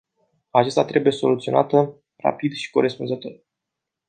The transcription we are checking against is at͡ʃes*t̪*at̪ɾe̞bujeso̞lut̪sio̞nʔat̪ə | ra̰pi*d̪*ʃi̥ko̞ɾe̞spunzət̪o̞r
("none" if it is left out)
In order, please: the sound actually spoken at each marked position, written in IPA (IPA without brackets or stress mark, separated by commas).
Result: t̪, d̪